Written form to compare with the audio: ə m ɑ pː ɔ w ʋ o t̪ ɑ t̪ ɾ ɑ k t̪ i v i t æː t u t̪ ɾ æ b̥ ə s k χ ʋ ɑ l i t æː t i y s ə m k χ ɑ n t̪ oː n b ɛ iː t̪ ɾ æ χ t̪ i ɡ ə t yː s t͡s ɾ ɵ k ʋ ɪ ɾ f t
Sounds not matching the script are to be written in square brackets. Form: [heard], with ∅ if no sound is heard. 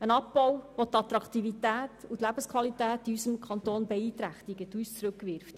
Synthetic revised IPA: ə [n] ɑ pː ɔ w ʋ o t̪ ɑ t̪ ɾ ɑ k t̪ i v i t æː t u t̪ [l] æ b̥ ə s k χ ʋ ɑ l i t æː t i y s ə m k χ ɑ n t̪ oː n b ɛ iː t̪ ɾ æ χ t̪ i ɡ ə t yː s t͡s ɾ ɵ k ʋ ɪ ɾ f t